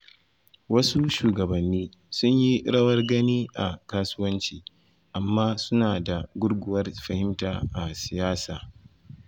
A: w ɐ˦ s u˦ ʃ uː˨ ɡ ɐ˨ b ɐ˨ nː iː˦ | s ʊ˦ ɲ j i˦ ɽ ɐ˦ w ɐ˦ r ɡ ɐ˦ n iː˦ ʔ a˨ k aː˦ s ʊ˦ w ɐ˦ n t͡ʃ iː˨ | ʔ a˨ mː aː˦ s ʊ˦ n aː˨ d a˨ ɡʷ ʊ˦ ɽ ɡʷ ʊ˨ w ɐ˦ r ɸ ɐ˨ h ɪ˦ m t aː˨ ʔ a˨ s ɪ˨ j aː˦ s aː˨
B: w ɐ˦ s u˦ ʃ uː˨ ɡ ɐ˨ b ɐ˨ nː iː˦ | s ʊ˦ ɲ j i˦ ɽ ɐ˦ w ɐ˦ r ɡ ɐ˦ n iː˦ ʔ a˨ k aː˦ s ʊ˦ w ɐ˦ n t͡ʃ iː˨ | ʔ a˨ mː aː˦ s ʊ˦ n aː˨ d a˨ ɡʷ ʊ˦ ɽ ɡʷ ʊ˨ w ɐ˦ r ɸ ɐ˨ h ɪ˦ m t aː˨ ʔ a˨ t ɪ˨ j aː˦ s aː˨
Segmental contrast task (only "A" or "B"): A